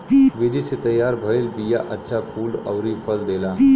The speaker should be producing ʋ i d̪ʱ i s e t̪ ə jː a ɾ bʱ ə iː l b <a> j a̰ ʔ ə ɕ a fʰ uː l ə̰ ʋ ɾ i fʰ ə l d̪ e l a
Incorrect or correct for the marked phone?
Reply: incorrect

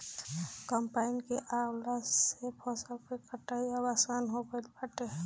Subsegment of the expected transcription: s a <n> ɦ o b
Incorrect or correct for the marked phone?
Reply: correct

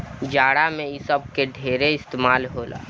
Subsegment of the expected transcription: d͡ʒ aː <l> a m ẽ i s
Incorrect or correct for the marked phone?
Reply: incorrect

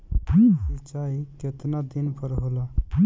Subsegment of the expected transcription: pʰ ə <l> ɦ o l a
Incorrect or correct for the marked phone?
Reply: incorrect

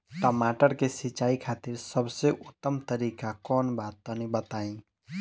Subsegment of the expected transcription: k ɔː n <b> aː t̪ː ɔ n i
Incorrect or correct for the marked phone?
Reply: correct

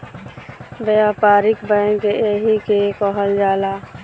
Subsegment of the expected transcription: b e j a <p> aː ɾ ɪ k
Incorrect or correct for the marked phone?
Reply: correct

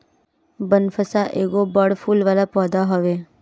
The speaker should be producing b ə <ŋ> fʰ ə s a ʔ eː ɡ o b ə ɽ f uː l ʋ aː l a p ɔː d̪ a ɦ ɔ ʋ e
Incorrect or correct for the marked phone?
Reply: incorrect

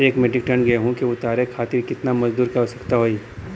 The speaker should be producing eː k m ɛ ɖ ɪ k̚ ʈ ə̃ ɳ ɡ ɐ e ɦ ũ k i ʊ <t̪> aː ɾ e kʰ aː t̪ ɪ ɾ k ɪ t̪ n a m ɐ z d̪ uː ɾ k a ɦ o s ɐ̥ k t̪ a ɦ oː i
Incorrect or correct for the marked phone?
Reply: correct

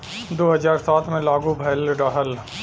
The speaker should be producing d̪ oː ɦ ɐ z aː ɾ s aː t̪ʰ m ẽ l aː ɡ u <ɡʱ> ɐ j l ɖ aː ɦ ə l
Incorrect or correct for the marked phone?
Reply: incorrect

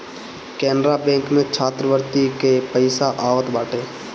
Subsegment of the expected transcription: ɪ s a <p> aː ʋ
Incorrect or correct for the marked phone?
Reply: incorrect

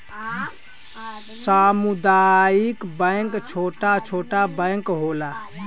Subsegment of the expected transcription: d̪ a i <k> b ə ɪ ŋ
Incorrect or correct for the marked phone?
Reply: correct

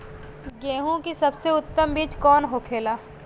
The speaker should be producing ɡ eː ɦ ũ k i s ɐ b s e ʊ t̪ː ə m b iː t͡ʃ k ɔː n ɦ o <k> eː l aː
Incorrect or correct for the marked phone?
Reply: incorrect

